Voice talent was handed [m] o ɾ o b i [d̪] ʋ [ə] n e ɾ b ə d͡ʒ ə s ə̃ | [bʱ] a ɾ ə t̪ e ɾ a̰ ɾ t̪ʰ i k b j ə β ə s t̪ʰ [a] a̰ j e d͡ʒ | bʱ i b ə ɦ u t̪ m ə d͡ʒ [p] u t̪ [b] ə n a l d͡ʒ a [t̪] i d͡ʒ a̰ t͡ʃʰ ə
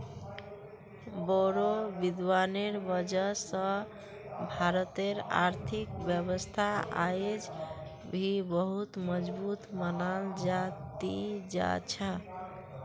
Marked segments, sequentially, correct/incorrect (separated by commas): incorrect, correct, incorrect, correct, correct, incorrect, incorrect, correct